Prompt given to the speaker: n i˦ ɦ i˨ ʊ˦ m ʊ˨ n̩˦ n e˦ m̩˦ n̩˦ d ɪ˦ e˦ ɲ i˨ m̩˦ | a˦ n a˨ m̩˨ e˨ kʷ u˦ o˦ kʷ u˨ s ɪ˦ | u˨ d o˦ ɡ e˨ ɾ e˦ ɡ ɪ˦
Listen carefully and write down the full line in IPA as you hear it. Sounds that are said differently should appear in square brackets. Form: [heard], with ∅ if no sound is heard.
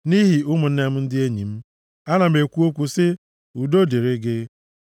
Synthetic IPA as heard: n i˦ ɦ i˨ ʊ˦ m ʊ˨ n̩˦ n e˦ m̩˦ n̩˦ d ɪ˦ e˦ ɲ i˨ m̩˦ | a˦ n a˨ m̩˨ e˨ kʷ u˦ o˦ kʷ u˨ s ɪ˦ | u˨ d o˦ [d] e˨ ɾ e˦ ɡ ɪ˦